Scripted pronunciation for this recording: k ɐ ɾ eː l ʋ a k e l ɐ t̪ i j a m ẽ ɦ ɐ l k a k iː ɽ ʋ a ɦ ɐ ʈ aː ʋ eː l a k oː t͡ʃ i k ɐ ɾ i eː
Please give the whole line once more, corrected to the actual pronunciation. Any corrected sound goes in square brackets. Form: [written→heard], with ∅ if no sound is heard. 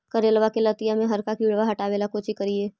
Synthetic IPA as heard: k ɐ ɾ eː l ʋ a k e l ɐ t̪ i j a m ẽ ɦ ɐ [l→ɾ] k a k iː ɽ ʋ a ɦ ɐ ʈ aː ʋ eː l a k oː t͡ʃ i k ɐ ɾ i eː